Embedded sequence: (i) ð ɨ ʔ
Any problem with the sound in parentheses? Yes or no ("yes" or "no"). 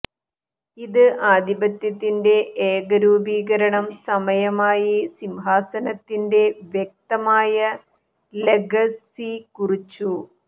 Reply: no